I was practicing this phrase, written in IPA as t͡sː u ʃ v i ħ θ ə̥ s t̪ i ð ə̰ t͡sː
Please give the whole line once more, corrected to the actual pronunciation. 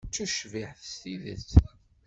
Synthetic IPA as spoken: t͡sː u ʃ v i ħ θ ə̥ s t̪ i ð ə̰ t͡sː

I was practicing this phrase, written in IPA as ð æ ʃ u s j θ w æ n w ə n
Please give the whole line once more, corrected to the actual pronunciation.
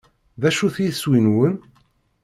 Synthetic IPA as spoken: ð æ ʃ u θ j s w i n w ə n

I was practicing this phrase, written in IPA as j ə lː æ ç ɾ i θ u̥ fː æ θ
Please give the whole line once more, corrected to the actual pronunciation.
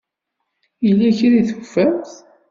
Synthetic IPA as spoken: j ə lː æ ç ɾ i θ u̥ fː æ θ

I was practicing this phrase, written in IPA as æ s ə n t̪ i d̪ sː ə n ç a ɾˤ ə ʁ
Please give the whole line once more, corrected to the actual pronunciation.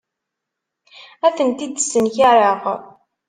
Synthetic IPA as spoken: æ θ ə n t̪ i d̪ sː ə n ç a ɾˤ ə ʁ

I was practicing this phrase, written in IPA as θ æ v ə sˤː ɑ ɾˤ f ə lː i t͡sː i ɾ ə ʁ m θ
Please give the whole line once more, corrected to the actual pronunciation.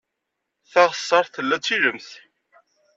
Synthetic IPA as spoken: θ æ ʁ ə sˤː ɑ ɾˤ θ ə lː æ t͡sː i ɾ ə m θ

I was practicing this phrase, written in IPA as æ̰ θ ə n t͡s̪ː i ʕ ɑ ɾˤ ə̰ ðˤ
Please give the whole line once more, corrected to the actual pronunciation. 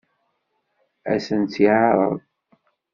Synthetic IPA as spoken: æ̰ s ə n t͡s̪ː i ʕ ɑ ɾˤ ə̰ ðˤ

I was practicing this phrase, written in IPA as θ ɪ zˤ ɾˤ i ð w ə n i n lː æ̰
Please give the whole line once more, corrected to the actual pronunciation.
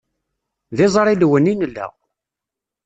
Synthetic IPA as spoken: ð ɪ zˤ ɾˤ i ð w ə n i n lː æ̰

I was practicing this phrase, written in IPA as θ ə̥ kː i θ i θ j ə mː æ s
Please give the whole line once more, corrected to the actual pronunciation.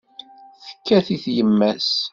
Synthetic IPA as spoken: θ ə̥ kː æ θ i θ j ə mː æ s

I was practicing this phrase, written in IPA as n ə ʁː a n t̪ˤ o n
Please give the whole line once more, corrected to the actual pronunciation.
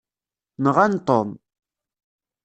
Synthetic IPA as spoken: n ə ʁ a n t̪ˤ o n

